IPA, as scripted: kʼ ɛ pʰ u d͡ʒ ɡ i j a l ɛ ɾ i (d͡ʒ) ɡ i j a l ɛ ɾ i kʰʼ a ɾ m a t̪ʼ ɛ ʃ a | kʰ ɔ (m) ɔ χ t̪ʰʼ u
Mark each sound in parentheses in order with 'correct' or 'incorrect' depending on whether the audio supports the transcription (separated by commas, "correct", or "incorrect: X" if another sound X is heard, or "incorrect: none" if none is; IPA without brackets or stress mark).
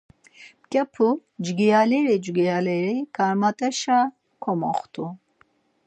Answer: correct, correct